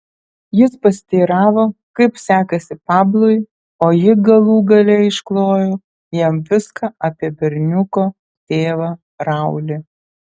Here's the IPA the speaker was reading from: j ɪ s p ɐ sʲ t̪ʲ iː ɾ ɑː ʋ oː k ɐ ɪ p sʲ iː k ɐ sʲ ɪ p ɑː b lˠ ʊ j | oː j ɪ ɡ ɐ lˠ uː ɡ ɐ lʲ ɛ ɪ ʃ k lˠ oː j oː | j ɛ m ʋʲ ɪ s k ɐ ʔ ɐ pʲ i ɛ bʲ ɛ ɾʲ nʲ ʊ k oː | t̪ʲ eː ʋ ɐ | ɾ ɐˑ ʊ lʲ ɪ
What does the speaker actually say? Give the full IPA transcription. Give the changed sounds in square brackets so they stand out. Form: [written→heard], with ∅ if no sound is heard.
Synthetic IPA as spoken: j ɪ s p ɐ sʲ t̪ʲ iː ɾ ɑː ʋ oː k ɐ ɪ p sʲ [iː→æː] k ɐ sʲ ɪ p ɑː b lˠ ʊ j | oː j ɪ ɡ ɐ lˠ uː ɡ ɐ lʲ ɛ ɪ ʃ k lˠ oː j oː | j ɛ m ʋʲ ɪ s k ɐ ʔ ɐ pʲ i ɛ bʲ ɛ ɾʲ nʲ ʊ k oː | t̪ʲ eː ʋ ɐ | ɾ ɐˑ ʊ lʲ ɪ